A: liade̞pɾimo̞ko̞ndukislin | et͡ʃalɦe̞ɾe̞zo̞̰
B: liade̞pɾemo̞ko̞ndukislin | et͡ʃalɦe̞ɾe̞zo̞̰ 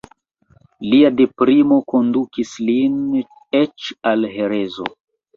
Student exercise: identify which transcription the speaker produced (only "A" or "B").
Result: A